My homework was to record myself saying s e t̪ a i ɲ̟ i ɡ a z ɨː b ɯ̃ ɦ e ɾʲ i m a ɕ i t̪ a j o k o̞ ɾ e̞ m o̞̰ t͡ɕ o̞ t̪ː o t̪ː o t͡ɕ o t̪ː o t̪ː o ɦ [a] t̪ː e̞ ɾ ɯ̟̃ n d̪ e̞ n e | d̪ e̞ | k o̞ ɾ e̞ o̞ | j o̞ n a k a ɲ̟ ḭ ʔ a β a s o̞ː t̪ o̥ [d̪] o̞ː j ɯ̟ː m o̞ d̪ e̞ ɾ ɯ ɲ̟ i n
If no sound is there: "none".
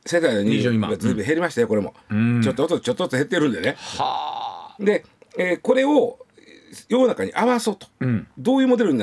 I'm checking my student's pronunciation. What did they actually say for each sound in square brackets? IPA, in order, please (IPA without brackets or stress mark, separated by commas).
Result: e, d̪